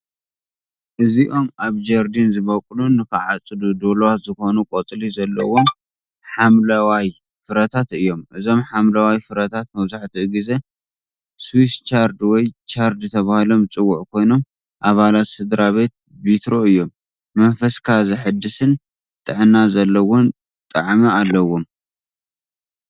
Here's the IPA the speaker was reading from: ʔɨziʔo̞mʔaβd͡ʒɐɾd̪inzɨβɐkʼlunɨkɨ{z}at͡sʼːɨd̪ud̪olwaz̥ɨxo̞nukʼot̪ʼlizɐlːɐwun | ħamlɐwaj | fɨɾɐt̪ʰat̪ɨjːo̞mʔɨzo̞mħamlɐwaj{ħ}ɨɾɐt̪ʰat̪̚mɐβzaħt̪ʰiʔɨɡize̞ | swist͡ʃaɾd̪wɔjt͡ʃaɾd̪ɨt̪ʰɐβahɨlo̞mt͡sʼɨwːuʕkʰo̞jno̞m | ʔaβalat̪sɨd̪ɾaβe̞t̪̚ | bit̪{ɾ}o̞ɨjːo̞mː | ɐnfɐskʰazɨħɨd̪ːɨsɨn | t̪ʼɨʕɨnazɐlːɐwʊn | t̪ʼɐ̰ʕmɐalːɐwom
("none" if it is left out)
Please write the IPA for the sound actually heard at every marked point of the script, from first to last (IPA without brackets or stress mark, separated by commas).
ʕ, f, ɾ